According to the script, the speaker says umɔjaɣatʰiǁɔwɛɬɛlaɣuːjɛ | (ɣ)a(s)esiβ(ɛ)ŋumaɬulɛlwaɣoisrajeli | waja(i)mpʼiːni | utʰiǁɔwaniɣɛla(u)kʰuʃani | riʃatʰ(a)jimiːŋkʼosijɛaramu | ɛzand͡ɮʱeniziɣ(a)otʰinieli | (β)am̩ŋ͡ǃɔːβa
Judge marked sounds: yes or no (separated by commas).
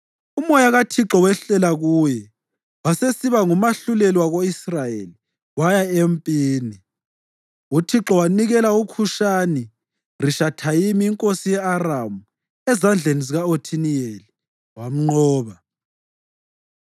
no, yes, no, no, yes, yes, yes, no